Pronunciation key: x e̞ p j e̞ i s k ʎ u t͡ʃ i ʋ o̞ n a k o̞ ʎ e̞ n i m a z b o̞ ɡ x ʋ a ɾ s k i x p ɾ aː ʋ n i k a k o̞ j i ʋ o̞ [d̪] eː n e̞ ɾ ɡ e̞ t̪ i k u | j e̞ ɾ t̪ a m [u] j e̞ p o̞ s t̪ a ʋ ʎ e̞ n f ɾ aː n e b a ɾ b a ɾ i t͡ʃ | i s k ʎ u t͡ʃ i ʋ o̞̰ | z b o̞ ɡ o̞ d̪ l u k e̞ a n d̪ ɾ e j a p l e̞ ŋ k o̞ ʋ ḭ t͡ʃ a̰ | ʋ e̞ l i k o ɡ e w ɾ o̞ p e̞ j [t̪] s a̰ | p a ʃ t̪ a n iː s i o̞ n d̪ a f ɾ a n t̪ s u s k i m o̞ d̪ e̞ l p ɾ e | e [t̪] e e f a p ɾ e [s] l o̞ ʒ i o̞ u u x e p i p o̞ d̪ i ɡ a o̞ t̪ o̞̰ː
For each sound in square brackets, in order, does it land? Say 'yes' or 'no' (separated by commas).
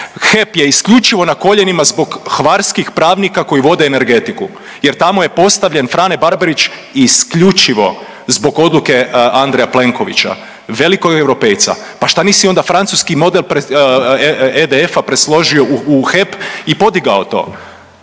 yes, no, yes, no, yes